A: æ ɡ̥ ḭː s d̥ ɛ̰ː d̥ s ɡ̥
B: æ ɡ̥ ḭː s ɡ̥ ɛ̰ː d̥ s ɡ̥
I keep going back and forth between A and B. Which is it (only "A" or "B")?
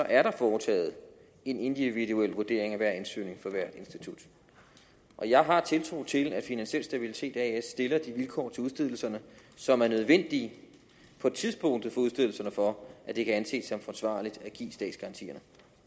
A